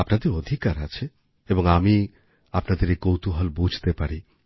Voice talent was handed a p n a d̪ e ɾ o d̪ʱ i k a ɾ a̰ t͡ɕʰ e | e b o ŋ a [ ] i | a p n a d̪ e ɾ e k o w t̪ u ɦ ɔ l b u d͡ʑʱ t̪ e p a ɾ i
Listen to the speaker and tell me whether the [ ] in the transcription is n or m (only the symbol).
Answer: m